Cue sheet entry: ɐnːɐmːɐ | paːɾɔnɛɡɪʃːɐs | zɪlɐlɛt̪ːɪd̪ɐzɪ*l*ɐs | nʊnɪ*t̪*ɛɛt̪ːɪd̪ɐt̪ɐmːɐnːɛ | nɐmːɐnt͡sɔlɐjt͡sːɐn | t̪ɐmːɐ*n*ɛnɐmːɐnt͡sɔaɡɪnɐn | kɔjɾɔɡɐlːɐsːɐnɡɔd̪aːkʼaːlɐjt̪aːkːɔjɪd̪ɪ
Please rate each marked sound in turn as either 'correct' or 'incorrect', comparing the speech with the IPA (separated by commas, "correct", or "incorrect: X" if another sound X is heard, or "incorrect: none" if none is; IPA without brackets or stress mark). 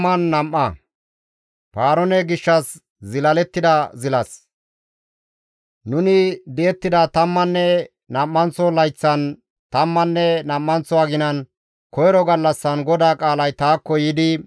correct, incorrect: d̪, incorrect: nː